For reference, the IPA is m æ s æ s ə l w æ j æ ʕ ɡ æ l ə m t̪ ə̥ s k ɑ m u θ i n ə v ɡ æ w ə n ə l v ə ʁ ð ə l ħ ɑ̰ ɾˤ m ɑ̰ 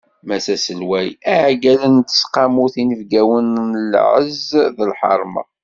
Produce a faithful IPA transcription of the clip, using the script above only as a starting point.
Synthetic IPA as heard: m æ s æ s ə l w æ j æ ʕ ɡ æ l ə n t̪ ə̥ s q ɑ m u θ i n ə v ɡ æ w ə n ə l ʕ ə z ð ə l ħ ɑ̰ ɾˤ m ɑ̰